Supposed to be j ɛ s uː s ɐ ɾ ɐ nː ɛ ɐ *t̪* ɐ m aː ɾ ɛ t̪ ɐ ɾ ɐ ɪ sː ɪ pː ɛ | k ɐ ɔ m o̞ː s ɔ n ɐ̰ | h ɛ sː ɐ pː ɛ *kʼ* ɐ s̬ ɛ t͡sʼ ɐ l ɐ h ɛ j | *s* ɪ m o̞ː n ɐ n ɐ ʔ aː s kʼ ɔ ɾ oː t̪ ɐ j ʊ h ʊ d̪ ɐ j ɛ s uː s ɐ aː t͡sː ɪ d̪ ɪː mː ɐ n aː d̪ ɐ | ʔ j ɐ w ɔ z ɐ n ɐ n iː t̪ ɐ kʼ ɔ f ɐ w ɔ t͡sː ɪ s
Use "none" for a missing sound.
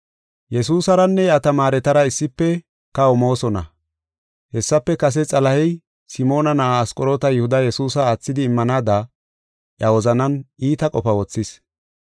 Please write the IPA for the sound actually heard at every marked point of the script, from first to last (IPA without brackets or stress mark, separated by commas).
t̪, k, s